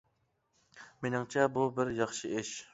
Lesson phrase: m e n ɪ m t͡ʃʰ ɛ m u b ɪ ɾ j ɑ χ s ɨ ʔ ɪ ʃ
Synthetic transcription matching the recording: m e n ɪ ŋ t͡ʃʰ ɛ b u b ɪ ɾ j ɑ χ ʃ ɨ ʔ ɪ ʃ